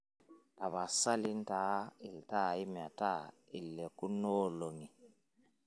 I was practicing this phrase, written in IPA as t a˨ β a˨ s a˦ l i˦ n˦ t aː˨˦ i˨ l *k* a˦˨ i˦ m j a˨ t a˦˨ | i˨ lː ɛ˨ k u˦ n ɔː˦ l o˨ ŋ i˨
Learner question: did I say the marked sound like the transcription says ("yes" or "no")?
no